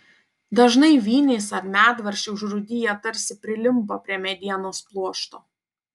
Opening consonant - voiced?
yes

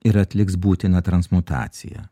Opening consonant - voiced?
yes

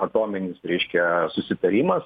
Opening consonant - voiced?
no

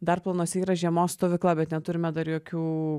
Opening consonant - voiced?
yes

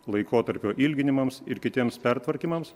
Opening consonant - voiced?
yes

